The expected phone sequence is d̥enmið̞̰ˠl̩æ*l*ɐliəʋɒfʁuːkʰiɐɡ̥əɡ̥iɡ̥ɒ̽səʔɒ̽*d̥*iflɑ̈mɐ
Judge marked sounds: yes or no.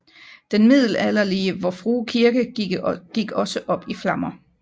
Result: yes, no

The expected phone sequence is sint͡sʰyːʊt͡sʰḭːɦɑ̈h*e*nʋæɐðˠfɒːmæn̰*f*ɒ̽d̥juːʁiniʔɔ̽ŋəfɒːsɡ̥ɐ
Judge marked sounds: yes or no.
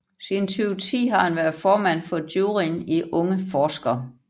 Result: no, yes

